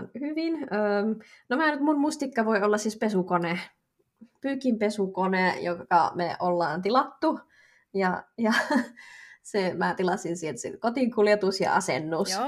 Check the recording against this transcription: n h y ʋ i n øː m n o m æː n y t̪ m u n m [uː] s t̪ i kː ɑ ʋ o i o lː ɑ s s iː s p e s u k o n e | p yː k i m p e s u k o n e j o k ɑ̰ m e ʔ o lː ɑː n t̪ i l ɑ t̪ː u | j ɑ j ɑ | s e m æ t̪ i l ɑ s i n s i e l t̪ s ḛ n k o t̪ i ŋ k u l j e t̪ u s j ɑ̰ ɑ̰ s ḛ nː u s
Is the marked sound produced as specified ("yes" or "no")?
no